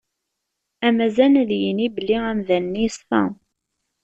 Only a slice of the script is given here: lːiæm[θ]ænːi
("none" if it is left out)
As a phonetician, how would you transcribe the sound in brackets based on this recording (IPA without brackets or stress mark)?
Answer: ð